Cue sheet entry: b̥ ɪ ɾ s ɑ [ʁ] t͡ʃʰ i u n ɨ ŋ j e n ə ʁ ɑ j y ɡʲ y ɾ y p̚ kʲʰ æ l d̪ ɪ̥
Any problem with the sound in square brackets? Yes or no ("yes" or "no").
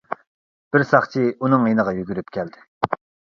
yes